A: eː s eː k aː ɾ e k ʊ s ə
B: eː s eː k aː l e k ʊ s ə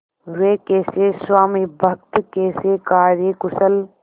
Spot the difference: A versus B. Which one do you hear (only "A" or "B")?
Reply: A